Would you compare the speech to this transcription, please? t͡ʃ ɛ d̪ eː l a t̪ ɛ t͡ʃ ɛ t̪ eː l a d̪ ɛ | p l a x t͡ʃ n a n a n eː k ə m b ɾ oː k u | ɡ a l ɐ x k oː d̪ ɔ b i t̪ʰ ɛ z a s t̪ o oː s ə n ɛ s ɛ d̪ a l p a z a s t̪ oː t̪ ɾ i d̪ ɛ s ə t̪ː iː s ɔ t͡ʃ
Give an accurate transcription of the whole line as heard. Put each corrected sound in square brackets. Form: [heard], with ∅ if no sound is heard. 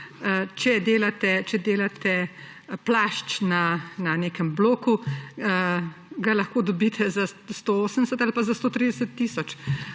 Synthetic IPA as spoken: t͡ʃ ɛ d̪ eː l a t̪ ɛ t͡ʃ ɛ [d̪] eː l a [t̪] ɛ | p l a [ʃ] t͡ʃ n a n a n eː k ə m b [l] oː k u | ɡ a l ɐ x k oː d̪ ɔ b i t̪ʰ ɛ z a s t̪ o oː s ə n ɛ s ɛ [t̪] a l p a z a s t̪ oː t̪ ɾ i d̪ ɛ s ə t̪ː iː s ɔ t͡ʃ